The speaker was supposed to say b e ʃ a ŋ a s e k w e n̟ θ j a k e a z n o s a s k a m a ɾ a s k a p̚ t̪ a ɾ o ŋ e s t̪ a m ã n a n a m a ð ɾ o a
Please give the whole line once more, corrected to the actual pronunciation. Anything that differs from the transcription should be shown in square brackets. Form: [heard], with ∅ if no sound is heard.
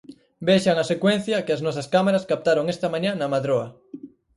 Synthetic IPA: b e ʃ a ŋ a s e k w e n̟ θ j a k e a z n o s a s k a m a ɾ a s k a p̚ t̪ a ɾ o ŋ e s t̪ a m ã [ɲ] a n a m a ð ɾ o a